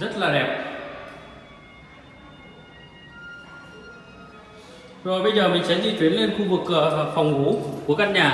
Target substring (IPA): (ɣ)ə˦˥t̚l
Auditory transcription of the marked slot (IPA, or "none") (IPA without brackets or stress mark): z